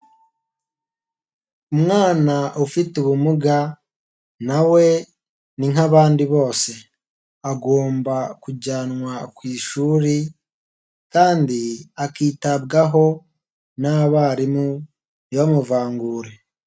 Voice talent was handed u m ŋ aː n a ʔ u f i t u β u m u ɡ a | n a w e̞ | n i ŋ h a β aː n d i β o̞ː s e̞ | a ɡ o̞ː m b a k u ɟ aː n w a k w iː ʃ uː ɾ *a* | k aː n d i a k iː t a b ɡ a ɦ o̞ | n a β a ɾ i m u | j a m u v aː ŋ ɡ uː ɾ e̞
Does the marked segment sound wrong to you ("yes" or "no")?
yes